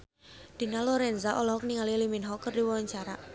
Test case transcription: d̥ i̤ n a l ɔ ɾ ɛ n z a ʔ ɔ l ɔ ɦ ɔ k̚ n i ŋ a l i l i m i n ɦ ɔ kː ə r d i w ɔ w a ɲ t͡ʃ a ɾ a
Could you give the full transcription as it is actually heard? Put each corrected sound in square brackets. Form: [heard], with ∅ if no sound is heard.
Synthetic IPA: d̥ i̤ n a l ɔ ɾ ɛ n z a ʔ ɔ l ɔ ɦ ɔ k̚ n i ŋ a l i l i m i n ɦ ɔ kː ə r d i w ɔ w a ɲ t͡ʃ a ɾ a